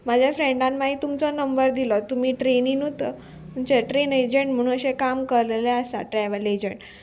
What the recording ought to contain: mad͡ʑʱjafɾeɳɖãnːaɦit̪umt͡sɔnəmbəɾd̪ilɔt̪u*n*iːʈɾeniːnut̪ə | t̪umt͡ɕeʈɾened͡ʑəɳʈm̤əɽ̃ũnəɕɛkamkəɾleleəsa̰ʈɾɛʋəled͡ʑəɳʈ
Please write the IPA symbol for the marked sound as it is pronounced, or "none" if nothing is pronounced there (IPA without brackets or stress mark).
m